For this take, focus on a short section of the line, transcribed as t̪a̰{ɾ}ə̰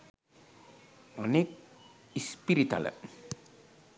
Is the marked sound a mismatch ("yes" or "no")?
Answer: yes